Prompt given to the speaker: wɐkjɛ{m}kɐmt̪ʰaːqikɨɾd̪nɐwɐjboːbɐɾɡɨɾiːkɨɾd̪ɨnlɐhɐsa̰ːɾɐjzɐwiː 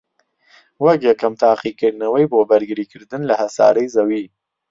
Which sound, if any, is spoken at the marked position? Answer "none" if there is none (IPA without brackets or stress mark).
none